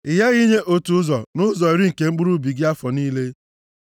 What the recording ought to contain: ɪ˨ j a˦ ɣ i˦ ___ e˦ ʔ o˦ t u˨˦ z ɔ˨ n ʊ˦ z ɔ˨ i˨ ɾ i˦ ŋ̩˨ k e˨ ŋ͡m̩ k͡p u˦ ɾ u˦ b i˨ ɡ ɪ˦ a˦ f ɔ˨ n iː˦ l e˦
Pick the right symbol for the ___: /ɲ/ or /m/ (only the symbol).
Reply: ɲ